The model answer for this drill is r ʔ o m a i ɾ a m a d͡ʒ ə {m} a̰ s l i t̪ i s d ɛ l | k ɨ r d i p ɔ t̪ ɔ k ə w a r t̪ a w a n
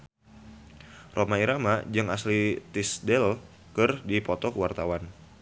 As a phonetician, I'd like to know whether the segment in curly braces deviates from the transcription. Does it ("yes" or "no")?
yes